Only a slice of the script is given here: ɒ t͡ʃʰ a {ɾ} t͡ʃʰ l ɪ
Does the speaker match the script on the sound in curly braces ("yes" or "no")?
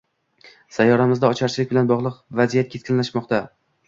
yes